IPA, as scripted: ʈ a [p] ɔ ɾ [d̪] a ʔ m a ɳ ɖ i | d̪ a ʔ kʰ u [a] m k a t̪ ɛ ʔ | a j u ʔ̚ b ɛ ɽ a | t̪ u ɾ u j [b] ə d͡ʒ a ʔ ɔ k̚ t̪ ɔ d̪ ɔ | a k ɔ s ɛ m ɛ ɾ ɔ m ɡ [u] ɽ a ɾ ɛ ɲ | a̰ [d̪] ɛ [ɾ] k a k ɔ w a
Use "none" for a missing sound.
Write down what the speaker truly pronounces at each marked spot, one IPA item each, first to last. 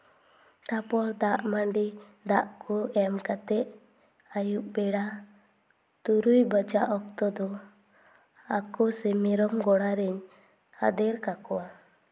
p, d̪, ɛ, b, ɔ, d̪, ɾ

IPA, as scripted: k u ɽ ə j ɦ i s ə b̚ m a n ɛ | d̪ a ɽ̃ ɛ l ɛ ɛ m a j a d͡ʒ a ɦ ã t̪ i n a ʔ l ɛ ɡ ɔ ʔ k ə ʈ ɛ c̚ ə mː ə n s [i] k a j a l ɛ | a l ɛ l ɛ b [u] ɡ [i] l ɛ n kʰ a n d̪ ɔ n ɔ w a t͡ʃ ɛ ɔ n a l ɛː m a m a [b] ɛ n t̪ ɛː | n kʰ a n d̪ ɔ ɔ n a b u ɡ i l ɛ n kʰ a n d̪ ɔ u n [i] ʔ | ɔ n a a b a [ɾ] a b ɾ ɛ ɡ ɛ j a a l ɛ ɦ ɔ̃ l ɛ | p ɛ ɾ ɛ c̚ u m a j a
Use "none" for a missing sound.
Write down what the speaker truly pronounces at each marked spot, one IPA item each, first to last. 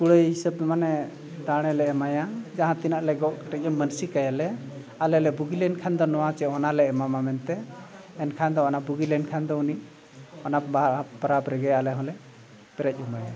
i, u, i, m, i, ɾ

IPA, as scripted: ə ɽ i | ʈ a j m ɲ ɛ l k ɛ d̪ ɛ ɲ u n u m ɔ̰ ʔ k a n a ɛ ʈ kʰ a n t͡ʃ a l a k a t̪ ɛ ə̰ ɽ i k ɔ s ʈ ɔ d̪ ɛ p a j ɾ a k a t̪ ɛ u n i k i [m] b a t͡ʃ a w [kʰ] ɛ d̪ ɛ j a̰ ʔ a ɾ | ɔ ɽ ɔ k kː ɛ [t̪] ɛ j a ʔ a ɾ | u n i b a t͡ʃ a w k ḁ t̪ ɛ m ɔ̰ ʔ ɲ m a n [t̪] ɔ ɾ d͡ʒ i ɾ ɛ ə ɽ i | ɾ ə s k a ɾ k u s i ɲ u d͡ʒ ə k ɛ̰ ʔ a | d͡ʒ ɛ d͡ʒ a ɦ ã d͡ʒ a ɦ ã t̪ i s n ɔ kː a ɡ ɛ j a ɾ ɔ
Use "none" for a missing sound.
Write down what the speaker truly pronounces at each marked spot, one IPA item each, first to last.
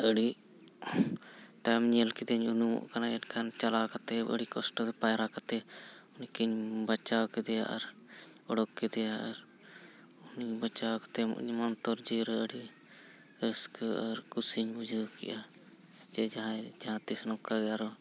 ɲ, k, d̪, t̪

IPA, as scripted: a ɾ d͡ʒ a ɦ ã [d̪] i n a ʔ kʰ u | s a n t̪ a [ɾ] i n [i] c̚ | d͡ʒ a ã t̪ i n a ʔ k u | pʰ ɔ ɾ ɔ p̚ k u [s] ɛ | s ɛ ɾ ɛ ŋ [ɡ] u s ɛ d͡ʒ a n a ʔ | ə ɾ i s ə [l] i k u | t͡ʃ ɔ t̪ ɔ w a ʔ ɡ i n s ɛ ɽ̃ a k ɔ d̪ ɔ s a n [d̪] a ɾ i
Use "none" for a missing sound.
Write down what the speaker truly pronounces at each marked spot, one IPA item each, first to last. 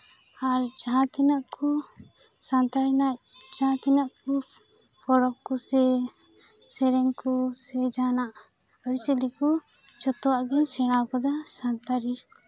t̪, ɾ, a, s, k, l, t̪

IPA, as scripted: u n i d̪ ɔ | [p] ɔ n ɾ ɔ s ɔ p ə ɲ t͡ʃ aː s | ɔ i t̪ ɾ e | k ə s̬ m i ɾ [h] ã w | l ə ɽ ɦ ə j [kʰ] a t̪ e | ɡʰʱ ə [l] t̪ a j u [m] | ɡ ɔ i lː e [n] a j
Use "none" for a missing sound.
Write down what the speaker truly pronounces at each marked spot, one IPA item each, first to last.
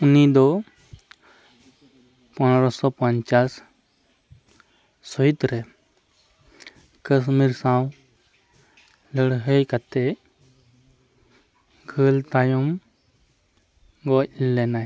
p, s, k, l, m, n

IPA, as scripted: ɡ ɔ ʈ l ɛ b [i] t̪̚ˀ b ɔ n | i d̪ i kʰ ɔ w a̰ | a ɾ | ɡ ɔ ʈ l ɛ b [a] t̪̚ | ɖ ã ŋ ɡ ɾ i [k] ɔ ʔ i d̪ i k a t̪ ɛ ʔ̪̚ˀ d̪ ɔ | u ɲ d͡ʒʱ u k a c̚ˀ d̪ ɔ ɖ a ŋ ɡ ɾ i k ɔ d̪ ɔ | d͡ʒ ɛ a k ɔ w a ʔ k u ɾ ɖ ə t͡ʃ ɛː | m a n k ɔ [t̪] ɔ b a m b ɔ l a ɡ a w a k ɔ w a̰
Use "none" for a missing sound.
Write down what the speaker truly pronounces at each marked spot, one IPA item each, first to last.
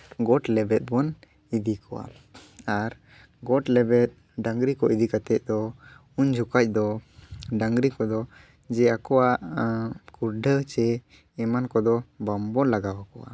ɛ, ɛ, k, d̪

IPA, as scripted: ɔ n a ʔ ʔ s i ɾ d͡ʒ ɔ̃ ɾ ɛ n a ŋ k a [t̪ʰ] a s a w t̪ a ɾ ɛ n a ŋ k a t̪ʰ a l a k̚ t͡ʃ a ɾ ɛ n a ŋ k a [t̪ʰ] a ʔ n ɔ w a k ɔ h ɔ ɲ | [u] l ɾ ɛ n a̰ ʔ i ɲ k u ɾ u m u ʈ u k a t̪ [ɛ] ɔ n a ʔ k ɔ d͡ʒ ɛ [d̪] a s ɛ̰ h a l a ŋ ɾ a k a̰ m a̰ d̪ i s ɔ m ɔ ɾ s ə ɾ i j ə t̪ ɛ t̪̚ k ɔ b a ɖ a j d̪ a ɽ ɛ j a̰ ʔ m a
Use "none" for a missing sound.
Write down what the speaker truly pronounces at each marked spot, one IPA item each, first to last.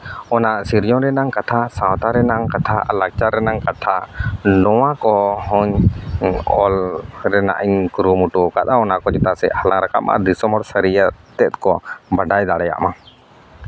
t̪ʰ, t̪ʰ, ɔ, a, t̪

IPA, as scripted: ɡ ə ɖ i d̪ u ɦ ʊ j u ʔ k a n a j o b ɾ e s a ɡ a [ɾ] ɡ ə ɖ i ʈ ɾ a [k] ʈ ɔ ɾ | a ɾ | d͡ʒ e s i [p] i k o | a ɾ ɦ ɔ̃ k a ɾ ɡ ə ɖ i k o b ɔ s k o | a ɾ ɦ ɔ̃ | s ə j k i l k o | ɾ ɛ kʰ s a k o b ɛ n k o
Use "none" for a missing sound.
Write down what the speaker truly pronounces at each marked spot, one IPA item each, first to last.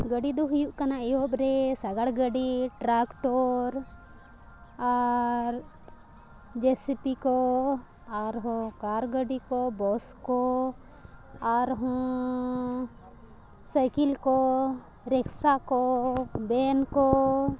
ɽ, k, p

